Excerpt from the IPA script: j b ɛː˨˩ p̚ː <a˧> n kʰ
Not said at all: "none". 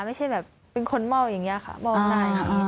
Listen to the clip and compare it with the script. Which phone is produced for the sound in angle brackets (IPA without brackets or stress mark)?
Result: e˧